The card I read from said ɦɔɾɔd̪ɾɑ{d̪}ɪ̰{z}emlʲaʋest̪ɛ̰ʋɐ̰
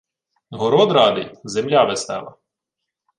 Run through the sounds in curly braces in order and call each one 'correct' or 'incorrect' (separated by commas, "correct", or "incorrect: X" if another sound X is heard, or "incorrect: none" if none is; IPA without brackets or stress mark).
correct, correct